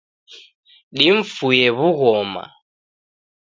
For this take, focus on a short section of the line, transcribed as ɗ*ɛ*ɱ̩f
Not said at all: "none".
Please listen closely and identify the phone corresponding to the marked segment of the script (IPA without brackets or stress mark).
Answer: i